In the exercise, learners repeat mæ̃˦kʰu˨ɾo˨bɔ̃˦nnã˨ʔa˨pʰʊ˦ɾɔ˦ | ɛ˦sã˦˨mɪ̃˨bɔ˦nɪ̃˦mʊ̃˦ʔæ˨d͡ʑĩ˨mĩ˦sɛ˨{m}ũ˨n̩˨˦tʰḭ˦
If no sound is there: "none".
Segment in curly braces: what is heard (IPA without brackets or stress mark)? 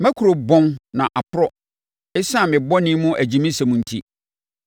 m